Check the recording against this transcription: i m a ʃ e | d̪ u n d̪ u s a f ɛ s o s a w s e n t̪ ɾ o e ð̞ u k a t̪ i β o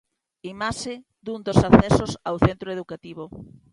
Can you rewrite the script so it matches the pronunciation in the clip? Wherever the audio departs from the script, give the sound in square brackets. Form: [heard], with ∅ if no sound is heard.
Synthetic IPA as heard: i m a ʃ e | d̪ u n d̪ [o] s a [θ] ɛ s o s a w [θ] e n t̪ ɾ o e ð̞ u k a t̪ i β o